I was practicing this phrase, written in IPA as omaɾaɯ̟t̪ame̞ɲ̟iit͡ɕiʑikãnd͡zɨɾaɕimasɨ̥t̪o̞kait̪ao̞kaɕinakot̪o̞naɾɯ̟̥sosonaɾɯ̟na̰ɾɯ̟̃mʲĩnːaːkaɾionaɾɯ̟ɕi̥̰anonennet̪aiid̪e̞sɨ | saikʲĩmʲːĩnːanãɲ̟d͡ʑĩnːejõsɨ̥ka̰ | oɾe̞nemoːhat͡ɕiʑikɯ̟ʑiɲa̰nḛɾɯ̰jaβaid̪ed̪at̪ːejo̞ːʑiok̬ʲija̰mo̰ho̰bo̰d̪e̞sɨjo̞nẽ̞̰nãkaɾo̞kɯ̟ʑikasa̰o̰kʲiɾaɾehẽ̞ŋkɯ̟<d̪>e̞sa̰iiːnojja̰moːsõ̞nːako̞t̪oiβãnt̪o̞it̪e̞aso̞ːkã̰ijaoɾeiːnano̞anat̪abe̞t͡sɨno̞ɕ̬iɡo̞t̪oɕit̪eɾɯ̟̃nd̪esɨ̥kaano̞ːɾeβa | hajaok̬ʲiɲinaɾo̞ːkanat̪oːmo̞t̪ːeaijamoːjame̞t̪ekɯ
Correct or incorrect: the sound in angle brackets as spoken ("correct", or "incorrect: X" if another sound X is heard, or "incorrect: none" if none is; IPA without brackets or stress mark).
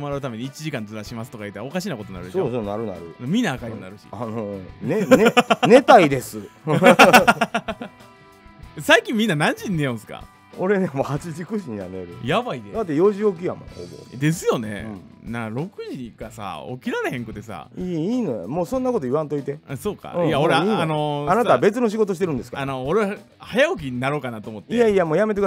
incorrect: t̪